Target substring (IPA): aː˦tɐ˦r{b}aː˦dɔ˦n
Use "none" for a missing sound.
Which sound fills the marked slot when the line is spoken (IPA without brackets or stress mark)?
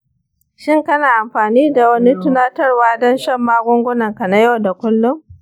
w